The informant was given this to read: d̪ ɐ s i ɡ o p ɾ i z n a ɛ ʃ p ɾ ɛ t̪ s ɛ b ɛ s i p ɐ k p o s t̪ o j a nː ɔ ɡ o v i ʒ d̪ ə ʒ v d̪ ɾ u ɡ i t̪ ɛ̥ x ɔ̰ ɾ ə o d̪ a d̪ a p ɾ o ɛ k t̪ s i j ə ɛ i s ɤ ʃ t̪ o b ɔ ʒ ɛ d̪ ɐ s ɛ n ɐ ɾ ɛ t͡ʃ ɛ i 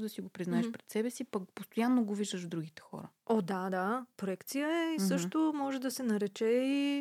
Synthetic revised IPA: d̪ ɐ s i ɡ o p ɾ i z n a ɛ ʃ p ɾ ɛ t̪ s ɛ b ɛ s i p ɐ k p o s t̪ o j a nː o ɡ o v i ʒ d̪ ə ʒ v d̪ ɾ u ɡ i t̪ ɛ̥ x ɔ̰ ɾ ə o d̪ a d̪ a p ɾ o ɛ k t̪ s i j ə ɛ i s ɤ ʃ t̪ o m ɔ ʒ ɛ d̪ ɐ s ɛ n ɐ ɾ ɛ t͡ʃ ɛ i